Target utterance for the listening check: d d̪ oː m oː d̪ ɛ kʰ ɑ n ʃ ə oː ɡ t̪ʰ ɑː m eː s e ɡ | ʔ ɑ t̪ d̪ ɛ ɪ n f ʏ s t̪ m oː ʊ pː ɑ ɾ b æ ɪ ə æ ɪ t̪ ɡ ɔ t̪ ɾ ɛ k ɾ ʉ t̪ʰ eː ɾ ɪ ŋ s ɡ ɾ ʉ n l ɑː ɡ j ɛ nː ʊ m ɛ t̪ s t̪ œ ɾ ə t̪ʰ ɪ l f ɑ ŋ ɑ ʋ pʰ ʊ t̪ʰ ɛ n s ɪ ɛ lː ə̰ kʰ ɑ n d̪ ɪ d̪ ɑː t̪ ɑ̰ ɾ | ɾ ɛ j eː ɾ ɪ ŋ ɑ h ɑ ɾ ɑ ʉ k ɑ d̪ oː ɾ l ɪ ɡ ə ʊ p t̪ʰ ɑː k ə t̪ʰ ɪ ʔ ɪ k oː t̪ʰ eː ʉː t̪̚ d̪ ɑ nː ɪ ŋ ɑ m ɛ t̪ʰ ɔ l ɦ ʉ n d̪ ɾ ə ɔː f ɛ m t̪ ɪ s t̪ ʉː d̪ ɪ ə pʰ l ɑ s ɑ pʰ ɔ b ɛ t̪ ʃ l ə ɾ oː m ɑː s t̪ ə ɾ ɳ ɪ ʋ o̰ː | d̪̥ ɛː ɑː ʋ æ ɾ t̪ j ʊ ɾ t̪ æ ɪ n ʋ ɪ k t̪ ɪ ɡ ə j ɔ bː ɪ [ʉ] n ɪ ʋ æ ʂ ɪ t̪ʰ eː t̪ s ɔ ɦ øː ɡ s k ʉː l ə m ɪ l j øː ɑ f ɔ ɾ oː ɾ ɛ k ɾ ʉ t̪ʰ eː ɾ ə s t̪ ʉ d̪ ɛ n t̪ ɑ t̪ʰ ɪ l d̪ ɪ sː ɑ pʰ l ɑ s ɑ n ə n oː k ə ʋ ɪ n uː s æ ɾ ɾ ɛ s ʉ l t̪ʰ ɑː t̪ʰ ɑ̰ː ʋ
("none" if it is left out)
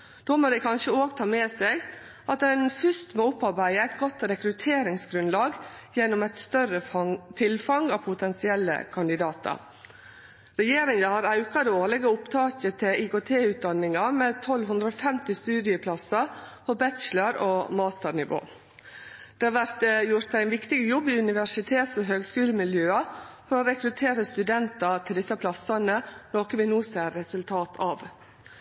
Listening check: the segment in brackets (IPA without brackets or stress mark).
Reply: ʉ